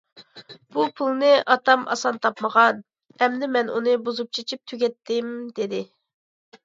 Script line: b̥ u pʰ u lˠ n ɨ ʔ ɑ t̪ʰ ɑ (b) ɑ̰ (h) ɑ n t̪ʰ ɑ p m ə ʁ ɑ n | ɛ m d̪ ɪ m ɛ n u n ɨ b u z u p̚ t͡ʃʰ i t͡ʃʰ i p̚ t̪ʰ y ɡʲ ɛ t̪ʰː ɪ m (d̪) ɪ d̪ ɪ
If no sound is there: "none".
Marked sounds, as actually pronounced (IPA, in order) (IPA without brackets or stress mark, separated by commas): m, s, d̪